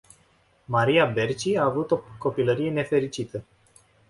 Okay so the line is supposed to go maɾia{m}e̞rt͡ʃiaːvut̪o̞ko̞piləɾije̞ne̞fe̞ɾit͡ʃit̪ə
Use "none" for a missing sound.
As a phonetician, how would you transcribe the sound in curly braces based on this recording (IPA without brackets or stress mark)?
b